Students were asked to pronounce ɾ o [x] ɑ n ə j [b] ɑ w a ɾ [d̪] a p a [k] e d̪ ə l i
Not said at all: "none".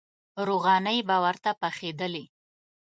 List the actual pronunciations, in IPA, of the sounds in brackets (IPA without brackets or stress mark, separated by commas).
ɣ, b, t̪, x